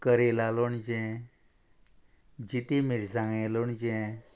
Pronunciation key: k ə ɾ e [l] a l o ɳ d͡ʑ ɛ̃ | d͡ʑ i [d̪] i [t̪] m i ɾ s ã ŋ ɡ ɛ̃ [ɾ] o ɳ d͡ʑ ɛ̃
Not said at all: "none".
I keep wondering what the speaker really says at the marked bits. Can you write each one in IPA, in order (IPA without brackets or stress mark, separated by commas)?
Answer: l, t̪, none, l